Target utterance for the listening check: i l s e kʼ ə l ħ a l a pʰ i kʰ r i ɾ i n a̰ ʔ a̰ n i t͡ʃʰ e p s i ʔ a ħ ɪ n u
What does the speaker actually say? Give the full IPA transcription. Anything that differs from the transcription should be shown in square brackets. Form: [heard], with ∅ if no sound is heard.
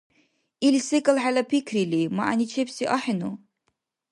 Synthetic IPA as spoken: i l s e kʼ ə l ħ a l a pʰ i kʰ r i [l] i [m] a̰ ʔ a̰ n i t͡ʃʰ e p s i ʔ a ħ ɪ n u

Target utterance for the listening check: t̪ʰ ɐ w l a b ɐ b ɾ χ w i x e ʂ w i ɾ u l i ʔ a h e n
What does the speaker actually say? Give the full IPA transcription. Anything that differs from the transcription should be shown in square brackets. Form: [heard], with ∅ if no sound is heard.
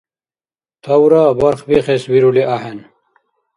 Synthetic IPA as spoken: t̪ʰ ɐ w [ɾ] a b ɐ [∅] ɾ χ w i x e [s] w i ɾ u l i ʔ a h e n

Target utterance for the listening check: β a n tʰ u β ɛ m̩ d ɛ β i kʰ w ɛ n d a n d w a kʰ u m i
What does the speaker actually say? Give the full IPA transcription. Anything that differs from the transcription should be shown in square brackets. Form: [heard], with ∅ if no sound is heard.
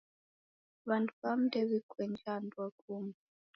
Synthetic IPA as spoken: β a n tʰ u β [a] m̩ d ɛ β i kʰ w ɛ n [d͡ʒ] a n d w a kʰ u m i

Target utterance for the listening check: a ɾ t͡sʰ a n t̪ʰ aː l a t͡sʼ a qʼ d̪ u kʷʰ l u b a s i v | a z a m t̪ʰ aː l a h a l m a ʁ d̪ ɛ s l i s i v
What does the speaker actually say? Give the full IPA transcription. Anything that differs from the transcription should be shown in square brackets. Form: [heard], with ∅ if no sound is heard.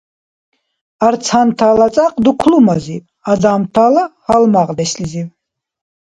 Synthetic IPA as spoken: a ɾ t͡sʰ a n t̪ʰ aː l a t͡sʼ a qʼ d̪ u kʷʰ l u [m] a [z] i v | a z a m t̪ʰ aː l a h a l m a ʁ d̪ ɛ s l i [z] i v

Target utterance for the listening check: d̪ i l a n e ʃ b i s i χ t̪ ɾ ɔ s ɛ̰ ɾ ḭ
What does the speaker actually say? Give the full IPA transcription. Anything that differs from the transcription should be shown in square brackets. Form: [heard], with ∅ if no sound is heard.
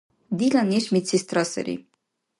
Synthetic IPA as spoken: d̪ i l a n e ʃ [m] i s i [s] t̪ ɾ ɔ s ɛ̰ ɾ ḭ

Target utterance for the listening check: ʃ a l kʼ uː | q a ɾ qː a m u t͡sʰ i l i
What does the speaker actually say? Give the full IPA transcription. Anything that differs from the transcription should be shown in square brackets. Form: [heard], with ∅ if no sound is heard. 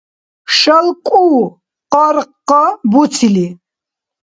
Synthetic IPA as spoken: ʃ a l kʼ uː | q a ɾ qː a [b] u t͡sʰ i l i

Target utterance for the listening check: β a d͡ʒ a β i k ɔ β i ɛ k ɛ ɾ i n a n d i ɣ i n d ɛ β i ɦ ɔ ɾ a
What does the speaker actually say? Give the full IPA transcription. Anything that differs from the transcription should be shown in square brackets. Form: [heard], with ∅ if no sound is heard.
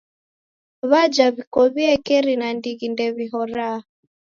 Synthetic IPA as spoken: β a d͡ʒ a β i k ɔ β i ɛ k ɛ ɾ i n a n d i ɣ i n d ɛ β i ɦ ɔ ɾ a

